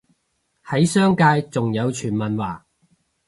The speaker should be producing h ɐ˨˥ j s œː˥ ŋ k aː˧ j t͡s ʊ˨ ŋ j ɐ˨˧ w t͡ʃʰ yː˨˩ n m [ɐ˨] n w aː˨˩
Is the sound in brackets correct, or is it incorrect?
correct